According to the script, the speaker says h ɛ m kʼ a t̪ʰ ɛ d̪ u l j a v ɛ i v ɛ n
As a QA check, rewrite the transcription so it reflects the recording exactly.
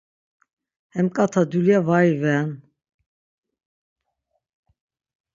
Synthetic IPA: h ɛ m kʼ a t̪ʰ a d̪ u l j a v a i v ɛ n